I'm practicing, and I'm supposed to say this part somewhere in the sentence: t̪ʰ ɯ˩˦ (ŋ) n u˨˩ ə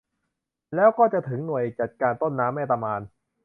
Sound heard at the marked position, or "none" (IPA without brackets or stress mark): ŋ